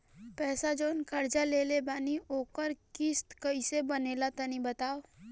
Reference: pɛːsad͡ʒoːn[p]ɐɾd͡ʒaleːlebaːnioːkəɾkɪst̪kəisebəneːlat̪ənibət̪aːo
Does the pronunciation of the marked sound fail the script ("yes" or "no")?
yes